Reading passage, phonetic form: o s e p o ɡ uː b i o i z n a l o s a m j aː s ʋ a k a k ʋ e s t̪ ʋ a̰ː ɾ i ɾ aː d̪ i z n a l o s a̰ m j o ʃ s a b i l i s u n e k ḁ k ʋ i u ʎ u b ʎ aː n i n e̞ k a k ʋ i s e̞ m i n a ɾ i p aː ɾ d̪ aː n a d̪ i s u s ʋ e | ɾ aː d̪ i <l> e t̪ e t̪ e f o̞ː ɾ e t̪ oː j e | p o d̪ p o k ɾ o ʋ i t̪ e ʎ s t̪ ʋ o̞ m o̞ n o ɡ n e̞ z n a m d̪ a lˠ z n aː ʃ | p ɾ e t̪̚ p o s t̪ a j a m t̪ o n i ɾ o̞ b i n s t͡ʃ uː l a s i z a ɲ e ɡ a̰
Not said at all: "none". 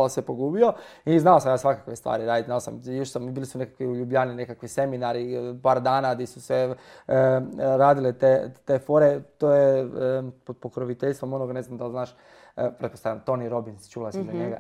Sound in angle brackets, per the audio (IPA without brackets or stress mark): l